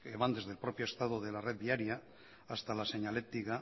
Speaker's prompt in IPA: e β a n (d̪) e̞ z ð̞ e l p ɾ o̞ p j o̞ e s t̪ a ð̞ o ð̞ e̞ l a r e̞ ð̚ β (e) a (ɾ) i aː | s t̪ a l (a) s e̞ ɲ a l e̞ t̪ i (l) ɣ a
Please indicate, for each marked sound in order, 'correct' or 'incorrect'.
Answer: correct, incorrect, correct, correct, incorrect

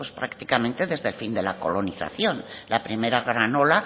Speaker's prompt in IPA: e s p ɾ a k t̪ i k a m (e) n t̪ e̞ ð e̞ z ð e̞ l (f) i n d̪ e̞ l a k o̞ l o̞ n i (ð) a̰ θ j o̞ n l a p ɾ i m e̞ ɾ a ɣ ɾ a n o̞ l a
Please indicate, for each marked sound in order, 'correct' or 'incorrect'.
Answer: incorrect, correct, incorrect

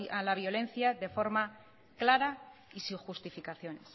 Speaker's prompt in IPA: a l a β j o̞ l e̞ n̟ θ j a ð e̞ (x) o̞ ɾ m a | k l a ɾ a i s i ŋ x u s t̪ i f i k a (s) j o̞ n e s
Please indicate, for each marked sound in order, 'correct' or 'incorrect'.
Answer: incorrect, incorrect

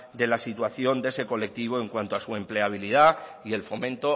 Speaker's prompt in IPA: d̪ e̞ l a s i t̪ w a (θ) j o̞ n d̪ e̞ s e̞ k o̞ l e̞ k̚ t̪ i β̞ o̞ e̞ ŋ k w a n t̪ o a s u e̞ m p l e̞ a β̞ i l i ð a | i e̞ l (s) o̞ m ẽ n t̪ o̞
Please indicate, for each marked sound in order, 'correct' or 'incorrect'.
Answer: correct, incorrect

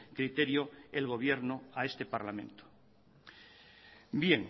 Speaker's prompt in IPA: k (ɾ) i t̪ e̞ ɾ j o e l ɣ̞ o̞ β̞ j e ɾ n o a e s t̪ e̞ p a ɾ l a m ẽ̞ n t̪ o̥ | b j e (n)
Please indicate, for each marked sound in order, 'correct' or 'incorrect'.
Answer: correct, incorrect

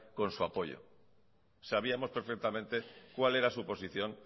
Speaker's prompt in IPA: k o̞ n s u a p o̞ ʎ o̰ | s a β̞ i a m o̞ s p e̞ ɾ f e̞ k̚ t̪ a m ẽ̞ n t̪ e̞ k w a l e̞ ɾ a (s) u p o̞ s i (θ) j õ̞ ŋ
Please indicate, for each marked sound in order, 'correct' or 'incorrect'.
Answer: correct, correct

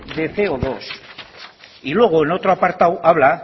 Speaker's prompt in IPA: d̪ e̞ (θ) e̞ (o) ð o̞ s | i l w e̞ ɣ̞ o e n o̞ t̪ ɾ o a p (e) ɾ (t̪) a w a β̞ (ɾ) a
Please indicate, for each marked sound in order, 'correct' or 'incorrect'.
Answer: correct, correct, incorrect, correct, incorrect

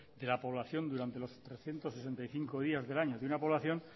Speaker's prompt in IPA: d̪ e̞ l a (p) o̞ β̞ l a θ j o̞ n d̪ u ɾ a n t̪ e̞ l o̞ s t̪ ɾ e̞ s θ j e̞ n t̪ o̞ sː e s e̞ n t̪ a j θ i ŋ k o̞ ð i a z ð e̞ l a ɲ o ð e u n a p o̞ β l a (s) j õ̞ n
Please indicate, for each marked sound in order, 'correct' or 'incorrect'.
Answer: correct, incorrect

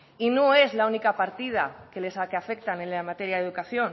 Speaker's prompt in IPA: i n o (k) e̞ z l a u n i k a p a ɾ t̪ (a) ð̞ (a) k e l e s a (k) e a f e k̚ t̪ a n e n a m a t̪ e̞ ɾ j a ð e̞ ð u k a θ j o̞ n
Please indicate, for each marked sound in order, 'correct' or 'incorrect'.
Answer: incorrect, incorrect, correct, correct

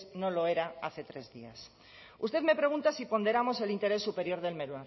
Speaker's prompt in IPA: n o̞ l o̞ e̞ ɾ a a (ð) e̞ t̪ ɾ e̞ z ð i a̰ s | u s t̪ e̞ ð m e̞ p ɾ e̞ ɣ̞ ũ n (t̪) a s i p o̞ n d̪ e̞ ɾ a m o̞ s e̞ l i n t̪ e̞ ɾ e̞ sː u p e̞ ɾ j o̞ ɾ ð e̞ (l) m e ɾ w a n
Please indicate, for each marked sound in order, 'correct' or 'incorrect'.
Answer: incorrect, correct, correct

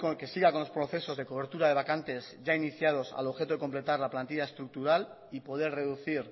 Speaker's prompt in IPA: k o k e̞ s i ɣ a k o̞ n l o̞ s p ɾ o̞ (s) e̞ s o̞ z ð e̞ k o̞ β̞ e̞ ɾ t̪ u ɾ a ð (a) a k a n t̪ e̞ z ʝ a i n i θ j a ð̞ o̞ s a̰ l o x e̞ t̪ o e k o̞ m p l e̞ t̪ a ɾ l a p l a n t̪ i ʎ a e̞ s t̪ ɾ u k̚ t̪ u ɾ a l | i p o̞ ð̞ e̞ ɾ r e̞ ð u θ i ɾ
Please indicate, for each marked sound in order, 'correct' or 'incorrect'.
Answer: incorrect, incorrect

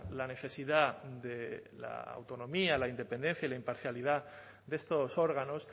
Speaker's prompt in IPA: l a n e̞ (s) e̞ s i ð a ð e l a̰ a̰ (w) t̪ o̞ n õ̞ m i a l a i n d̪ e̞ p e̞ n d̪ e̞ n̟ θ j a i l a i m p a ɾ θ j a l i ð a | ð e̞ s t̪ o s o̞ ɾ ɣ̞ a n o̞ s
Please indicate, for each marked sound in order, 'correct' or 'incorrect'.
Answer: incorrect, correct

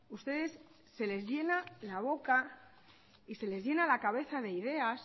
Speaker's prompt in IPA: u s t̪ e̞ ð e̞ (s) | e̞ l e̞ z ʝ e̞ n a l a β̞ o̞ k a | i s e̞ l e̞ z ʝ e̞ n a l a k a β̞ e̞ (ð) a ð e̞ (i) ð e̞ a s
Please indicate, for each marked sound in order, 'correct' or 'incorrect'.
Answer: incorrect, incorrect, correct

